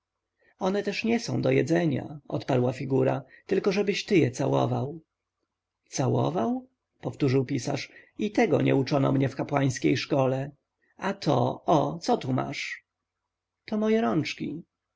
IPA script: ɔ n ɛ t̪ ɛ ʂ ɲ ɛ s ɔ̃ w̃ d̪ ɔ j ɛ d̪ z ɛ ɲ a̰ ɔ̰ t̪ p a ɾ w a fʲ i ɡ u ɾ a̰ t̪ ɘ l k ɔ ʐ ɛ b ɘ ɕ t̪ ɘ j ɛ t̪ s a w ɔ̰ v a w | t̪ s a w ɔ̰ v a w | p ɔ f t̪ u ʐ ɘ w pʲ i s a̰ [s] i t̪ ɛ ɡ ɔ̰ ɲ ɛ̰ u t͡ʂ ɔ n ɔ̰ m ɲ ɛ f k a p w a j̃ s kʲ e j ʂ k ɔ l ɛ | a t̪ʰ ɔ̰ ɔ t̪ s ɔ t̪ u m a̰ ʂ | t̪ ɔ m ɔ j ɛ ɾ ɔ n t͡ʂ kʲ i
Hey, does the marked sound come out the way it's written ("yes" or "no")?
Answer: no